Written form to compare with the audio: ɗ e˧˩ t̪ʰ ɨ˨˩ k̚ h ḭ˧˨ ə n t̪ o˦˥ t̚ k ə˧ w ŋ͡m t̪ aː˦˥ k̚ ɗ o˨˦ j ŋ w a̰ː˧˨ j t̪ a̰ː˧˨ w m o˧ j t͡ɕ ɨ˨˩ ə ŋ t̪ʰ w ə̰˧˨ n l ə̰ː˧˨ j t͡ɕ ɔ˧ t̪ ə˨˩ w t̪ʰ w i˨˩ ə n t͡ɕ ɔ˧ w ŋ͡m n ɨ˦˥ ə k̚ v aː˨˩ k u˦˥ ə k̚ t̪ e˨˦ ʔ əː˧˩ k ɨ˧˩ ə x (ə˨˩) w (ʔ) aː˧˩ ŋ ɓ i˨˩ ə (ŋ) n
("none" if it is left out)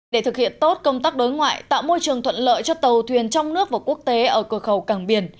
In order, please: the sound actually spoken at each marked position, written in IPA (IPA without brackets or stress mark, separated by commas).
ə˨˩, k, none